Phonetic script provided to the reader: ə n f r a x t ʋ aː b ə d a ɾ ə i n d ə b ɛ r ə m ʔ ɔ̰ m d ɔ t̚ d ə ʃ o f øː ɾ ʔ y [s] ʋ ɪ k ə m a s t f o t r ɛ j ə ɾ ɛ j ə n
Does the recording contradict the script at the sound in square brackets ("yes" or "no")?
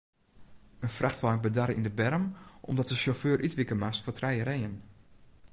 yes